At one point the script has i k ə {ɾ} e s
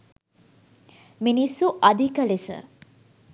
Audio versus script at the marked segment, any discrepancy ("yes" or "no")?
yes